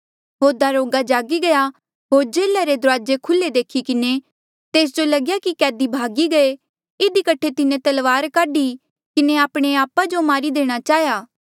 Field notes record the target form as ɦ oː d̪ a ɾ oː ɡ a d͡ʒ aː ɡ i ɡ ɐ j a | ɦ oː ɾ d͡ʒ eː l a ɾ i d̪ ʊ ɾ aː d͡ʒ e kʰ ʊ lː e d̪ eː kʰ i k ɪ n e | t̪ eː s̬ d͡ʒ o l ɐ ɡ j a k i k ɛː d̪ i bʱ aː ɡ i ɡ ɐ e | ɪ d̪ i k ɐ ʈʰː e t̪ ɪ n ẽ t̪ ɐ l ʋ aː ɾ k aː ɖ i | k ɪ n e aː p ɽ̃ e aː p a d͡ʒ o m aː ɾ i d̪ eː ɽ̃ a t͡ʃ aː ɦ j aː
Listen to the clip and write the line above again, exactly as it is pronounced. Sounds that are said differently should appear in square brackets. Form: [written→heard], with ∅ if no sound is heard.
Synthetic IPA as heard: ɦ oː d̪ a ɾ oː ɡ a d͡ʒ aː ɡ i ɡ ɐ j a | ɦ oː ɾ d͡ʒ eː l a ɾ [i→e] d̪ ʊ ɾ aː d͡ʒ e kʰ ʊ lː e d̪ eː kʰ i k ɪ n e | t̪ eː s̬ d͡ʒ o l ɐ ɡ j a k i k ɛː d̪ i bʱ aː ɡ i ɡ ɐ e | ɪ d̪ i k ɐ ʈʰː e t̪ ɪ n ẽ t̪ ɐ l ʋ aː ɾ k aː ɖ i | k ɪ n e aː p ɽ̃ e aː p a d͡ʒ o m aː ɾ i d̪ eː ɽ̃ a t͡ʃ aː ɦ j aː